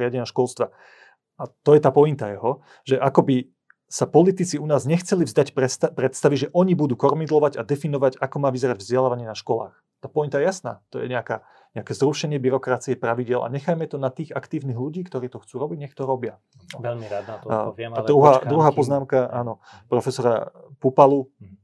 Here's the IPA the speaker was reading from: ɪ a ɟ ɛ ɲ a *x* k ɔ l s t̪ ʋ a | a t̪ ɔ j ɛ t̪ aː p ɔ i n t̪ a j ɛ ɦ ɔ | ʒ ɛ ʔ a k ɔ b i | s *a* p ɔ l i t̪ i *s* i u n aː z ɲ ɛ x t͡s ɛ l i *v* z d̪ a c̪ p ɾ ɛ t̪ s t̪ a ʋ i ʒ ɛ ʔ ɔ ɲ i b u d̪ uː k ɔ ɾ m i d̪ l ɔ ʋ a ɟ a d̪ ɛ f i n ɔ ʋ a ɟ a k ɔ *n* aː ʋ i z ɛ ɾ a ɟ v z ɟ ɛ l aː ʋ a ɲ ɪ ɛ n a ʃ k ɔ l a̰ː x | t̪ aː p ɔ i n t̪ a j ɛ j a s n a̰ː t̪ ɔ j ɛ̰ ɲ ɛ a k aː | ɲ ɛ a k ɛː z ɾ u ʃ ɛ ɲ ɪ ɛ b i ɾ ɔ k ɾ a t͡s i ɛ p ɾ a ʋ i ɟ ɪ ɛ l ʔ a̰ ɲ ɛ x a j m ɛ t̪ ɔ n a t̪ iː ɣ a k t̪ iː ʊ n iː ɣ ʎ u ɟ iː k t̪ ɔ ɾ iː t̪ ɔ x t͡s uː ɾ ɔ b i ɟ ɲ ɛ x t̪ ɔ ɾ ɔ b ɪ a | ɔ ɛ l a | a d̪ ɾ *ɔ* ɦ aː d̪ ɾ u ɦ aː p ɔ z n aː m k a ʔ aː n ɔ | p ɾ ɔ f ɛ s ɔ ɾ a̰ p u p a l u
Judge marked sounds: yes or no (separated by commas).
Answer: no, yes, no, yes, no, no